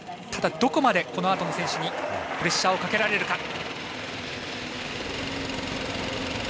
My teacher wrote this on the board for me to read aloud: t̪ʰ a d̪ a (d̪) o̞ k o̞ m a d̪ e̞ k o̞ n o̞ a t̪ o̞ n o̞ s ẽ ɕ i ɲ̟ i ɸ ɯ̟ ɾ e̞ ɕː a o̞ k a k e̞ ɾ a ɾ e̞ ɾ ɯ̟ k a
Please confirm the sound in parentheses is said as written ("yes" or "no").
yes